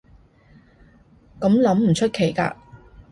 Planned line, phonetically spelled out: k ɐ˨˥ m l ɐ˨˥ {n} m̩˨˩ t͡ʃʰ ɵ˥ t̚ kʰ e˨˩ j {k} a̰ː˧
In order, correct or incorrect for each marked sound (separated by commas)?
incorrect, correct